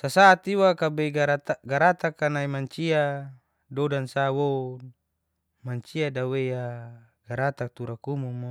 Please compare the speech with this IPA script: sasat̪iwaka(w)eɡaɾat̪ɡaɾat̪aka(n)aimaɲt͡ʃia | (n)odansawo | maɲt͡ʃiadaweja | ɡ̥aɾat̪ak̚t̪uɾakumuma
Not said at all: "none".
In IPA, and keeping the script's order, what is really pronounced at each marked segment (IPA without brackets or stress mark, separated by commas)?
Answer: b, n, d